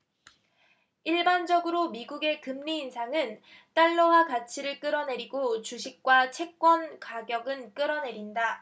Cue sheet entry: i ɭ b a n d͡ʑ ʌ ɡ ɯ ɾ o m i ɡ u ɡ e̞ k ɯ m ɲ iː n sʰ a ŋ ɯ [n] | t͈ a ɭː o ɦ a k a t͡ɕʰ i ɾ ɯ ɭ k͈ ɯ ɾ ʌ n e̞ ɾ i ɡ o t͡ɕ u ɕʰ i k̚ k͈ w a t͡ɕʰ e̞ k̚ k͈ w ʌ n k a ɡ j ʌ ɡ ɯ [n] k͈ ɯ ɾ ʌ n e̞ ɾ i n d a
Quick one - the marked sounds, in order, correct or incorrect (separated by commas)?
correct, correct